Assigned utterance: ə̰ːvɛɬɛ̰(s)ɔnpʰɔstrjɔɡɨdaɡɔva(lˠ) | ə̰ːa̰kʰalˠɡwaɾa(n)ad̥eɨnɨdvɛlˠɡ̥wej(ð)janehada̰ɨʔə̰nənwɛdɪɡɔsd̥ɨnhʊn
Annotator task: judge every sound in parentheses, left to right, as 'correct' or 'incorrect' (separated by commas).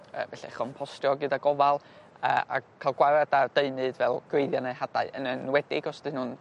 incorrect, correct, incorrect, correct